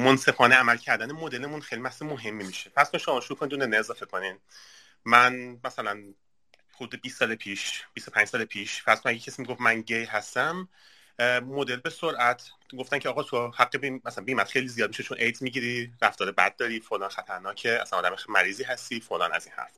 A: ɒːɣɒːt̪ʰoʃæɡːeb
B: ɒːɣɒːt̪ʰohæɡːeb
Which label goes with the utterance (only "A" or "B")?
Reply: B